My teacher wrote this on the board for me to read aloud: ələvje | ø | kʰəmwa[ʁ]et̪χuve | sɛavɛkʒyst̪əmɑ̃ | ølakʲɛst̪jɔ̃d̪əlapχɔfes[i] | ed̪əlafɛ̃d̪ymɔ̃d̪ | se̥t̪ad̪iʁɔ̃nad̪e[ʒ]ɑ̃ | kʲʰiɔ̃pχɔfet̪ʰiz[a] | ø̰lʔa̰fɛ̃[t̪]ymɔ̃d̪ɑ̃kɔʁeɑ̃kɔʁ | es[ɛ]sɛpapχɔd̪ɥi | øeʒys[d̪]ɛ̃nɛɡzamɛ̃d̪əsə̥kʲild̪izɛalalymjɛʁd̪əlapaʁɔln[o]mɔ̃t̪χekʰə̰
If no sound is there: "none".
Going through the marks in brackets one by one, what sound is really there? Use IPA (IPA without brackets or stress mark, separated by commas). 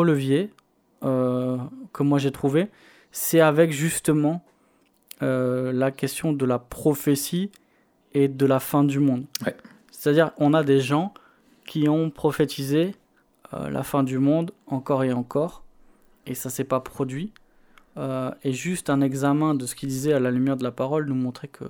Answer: ʒ, i, ʒ, e, d̪, a, t̪, u